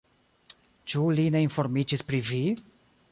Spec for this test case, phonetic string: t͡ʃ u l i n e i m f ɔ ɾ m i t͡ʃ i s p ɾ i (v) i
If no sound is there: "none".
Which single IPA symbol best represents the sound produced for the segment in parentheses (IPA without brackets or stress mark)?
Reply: v